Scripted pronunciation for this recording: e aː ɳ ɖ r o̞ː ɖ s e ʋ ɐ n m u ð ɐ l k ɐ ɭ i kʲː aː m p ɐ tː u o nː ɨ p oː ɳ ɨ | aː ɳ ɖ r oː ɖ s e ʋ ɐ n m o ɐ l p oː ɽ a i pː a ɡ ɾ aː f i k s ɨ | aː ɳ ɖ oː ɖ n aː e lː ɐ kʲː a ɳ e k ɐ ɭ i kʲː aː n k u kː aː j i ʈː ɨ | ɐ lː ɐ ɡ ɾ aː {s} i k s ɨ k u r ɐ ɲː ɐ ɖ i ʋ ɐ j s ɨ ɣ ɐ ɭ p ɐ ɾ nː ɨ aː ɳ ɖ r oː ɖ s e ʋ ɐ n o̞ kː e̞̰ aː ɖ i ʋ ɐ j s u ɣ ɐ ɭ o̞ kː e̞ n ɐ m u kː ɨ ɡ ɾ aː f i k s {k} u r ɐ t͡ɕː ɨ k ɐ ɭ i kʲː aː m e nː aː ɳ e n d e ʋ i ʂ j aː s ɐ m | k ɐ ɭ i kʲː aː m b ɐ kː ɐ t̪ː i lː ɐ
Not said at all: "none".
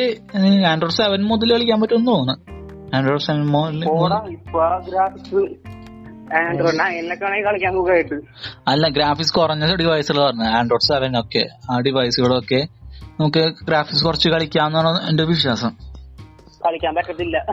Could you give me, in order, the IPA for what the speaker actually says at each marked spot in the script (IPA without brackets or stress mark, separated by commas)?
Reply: f, k